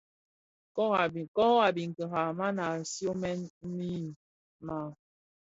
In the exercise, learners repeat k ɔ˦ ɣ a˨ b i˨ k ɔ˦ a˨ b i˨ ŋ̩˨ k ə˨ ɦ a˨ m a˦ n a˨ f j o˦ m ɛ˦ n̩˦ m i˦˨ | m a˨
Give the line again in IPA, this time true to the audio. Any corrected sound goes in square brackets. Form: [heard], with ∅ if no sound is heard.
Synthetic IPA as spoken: k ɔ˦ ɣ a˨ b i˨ k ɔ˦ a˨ b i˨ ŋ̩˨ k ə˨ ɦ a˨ m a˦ n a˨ [s] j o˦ m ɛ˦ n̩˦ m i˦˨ | m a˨